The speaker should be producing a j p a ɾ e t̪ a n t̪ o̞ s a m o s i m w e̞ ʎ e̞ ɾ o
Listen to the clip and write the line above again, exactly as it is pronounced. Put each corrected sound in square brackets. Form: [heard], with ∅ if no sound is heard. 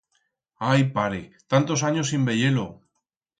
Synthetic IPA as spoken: a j p a ɾ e t̪ a n t̪ o̞ s a [ɲ] o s i m [b] e̞ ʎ e̞ [l] o